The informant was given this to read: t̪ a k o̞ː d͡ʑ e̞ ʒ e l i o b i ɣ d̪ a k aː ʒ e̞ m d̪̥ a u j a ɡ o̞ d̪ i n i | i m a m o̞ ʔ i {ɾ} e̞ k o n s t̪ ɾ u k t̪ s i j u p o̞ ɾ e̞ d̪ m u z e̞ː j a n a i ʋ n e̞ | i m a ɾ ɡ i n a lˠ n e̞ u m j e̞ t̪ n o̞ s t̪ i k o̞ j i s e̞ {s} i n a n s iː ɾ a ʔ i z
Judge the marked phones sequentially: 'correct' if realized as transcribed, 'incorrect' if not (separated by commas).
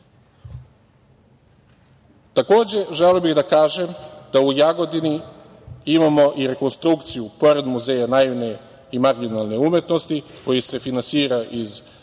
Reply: correct, incorrect